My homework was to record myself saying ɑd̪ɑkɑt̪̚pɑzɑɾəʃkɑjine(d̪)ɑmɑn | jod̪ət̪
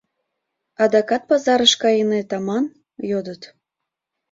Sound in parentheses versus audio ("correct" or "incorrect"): incorrect